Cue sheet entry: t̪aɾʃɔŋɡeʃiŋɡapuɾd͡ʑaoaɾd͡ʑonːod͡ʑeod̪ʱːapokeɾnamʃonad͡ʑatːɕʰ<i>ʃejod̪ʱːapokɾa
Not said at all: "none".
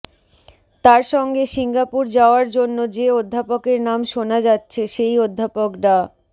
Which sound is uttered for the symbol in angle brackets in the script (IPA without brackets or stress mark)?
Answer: e